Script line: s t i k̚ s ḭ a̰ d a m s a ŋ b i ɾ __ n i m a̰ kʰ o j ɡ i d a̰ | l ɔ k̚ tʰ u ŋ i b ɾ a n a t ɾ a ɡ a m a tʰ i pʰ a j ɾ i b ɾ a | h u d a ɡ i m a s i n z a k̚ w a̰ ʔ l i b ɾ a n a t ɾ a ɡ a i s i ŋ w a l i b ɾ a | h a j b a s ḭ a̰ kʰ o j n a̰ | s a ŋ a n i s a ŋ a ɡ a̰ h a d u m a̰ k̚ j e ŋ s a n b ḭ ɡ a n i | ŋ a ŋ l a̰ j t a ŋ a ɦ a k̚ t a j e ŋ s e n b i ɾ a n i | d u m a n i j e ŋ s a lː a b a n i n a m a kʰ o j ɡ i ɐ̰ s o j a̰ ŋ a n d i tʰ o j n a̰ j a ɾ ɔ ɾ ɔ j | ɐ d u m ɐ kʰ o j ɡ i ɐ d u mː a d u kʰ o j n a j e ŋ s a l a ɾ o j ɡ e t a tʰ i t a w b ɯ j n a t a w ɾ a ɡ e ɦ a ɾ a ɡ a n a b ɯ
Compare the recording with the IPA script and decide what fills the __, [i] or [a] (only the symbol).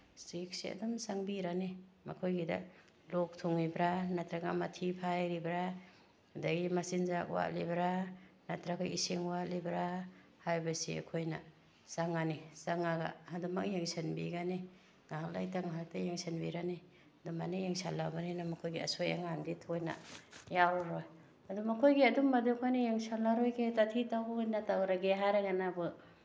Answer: a